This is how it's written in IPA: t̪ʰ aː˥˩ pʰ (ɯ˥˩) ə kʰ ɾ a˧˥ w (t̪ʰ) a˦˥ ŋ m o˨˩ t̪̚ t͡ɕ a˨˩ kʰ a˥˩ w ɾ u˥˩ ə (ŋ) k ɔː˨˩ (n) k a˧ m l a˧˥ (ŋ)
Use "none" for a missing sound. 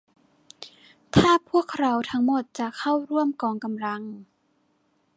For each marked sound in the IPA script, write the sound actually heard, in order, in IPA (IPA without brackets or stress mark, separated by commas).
u˥˩, t̪ʰ, m, ŋ, ŋ